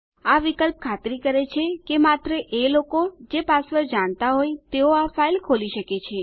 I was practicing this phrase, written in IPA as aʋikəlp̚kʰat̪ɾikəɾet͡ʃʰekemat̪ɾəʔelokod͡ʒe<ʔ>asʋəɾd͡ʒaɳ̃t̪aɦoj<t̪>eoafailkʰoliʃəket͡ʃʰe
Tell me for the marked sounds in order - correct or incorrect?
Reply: incorrect, correct

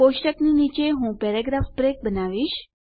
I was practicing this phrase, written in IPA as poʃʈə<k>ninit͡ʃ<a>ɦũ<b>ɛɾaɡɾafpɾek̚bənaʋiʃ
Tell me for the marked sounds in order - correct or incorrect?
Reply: correct, incorrect, incorrect

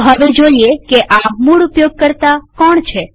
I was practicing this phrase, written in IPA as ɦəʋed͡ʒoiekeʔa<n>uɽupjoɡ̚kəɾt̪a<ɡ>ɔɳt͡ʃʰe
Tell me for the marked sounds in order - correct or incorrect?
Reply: incorrect, incorrect

